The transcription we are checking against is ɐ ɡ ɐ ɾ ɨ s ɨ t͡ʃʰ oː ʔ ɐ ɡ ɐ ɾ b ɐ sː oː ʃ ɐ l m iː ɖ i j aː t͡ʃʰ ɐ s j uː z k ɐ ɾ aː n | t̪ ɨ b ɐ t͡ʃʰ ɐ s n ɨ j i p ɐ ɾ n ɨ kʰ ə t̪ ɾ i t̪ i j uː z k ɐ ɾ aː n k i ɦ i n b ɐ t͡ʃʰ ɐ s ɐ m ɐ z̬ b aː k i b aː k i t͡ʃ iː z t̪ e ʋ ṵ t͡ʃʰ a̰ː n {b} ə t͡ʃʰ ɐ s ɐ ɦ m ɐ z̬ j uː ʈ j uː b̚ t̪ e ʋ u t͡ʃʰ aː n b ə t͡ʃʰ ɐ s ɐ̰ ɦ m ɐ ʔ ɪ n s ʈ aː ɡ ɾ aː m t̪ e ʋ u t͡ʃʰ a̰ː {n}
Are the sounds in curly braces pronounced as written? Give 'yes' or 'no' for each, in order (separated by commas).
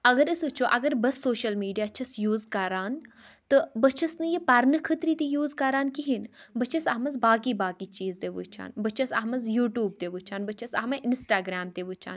yes, yes